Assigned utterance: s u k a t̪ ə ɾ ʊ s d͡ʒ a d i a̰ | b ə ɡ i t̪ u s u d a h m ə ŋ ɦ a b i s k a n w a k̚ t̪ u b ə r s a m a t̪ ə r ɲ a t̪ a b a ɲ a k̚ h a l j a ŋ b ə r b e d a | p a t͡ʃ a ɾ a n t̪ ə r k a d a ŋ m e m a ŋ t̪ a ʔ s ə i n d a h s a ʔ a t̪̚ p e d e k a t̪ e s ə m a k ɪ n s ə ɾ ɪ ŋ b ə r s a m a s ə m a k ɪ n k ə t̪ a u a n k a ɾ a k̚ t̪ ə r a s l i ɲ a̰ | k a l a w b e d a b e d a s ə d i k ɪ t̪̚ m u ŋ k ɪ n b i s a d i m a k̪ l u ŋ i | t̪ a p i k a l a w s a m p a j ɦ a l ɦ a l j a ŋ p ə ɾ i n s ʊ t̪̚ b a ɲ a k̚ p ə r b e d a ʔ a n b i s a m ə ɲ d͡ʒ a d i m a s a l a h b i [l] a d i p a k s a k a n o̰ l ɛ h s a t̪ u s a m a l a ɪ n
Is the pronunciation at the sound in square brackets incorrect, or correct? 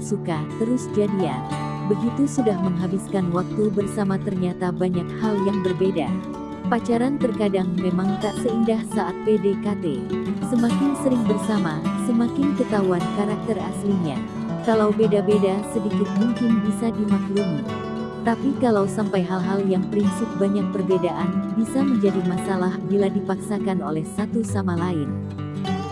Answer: correct